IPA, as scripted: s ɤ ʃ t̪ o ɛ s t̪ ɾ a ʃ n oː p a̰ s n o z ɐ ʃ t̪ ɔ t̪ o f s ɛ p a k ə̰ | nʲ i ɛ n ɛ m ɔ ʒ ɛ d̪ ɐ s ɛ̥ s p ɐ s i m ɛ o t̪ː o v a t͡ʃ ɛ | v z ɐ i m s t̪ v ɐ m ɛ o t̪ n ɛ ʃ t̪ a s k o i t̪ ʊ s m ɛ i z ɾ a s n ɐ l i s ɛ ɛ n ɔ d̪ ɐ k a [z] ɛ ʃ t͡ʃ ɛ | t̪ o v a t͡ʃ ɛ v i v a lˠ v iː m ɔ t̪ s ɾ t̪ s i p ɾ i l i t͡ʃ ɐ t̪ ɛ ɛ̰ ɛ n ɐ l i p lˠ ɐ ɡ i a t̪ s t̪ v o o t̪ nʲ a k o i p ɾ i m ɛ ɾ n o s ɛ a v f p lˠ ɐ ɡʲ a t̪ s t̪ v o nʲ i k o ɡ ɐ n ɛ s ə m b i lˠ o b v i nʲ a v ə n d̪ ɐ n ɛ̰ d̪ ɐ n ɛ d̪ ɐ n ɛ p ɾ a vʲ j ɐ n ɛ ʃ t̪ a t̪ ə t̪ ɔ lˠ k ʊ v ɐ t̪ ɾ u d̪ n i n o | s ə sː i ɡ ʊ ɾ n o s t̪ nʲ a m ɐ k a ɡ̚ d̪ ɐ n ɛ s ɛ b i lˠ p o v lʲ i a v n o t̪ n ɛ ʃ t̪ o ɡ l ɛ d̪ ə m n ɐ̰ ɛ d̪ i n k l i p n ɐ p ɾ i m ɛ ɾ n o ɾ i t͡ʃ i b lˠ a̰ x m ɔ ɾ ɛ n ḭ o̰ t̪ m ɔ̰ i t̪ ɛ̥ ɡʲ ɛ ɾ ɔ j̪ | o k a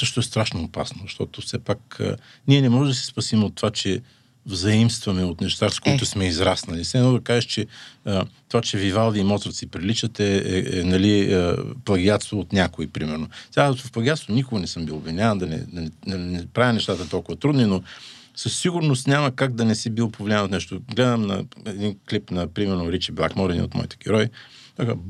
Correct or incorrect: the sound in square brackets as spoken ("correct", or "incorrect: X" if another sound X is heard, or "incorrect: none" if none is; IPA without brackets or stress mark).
incorrect: ʒ